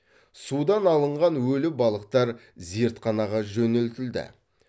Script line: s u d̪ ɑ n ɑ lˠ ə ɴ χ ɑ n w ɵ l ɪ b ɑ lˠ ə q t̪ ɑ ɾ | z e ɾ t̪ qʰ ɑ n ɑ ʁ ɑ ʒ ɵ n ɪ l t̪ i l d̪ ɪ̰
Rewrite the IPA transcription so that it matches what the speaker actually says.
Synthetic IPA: s u d̪ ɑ n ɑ lˠ ə ɴ ʁ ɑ n w ɵ l ɪ b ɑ lˠ ə q t̪ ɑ ɾ | z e ɾ t̪ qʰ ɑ n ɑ ʁ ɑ ʒ ɵ n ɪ l t̪ ɪ l d̪ ɪ̰